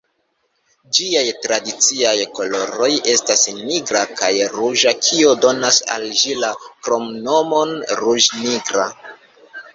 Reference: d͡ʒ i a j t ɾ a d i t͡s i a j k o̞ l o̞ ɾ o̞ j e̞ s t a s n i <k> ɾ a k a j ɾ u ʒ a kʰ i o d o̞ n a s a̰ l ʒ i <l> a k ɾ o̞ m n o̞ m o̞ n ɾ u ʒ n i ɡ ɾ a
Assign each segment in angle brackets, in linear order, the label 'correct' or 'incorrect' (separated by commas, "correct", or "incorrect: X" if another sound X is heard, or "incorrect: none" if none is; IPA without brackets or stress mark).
incorrect: ɡ, correct